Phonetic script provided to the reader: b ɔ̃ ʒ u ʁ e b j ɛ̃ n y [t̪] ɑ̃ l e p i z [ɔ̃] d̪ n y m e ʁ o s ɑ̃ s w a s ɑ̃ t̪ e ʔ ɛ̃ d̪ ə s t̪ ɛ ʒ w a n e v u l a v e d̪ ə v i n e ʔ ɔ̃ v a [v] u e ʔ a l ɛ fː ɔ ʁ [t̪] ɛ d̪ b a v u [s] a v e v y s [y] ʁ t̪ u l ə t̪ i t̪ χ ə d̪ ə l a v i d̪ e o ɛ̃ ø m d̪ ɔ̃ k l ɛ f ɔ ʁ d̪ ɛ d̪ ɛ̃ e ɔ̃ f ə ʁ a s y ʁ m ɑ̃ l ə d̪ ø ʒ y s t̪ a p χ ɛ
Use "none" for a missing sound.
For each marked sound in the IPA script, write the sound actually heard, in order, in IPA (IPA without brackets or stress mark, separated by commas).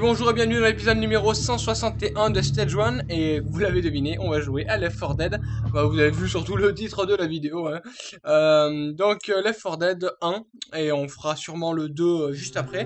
d̪, ɔ, ʒ, d̪, z, y